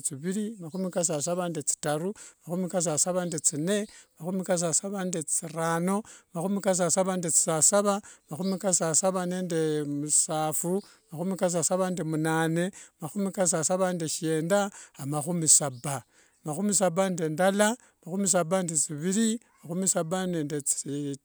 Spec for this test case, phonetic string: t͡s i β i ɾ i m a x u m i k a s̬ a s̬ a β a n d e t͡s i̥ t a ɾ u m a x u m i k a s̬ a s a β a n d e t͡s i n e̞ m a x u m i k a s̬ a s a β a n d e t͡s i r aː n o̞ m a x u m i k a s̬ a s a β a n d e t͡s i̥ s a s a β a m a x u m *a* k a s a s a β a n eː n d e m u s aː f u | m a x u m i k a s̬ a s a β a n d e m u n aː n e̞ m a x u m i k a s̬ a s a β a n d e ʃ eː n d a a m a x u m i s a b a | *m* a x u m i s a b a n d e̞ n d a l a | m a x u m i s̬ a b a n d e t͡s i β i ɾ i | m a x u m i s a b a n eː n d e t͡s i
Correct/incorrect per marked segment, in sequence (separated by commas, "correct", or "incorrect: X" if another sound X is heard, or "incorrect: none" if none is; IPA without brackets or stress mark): incorrect: i, correct